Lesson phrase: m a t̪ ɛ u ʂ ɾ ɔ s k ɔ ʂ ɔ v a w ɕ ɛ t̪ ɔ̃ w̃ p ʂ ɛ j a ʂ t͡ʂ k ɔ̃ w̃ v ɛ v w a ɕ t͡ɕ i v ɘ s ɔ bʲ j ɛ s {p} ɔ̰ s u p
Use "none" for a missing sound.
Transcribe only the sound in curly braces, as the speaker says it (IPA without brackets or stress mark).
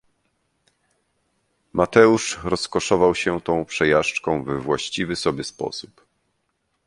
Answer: p